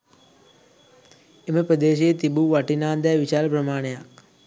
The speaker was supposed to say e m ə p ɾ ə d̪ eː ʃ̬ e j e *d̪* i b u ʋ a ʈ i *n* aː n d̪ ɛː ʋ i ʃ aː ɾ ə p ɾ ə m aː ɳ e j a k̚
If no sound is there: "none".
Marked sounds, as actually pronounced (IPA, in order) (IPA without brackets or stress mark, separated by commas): t̪, n